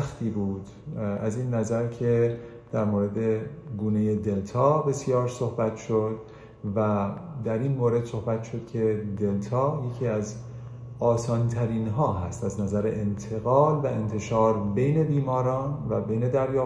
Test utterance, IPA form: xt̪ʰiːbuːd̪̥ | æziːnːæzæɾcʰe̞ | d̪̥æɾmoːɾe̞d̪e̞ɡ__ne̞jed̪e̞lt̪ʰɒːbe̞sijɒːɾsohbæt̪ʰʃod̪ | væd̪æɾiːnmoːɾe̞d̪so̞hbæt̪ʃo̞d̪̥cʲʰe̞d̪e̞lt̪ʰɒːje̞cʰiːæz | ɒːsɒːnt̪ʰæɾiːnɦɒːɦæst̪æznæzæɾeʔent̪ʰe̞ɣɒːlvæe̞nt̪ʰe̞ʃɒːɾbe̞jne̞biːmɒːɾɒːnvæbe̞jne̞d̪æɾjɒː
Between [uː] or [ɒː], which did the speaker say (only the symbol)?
uː